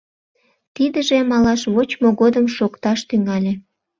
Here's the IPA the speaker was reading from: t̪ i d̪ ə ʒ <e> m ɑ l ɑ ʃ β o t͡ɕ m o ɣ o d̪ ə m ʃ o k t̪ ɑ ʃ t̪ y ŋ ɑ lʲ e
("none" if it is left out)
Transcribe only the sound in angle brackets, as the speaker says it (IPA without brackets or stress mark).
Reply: e